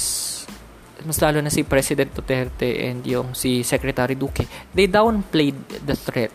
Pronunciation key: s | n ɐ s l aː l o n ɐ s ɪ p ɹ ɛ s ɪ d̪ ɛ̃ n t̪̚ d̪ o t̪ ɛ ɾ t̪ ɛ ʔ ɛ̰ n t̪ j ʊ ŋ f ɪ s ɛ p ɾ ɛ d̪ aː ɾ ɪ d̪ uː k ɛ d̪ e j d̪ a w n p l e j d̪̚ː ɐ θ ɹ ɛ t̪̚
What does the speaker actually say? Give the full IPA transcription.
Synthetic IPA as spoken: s | m ɐ s l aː l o n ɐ s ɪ p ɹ ɛ s ɪ d̪ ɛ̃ n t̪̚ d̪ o t̪ ɛ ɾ t̪ ɛ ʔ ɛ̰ n d̪ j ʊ ŋ s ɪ s ɛ k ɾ ɛ t̪ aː ɾ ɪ d̪ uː k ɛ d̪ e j d̪ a w n p l e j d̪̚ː ɐ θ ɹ ɛ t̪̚